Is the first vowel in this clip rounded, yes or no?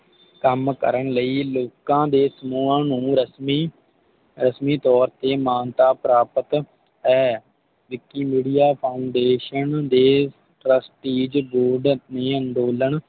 no